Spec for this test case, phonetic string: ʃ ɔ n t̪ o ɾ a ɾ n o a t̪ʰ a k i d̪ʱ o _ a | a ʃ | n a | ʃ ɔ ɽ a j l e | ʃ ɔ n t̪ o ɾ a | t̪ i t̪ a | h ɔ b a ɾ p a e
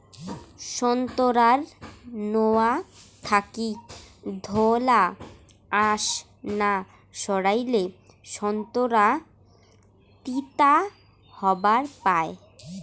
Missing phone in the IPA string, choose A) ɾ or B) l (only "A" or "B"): B